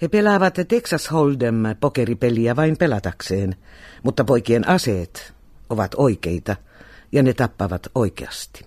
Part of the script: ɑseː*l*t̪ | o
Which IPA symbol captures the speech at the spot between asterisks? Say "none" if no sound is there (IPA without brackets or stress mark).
none